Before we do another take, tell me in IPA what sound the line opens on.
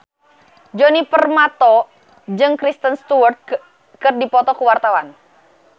d͡ʒ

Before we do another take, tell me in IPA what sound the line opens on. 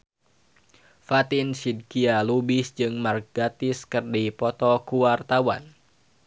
f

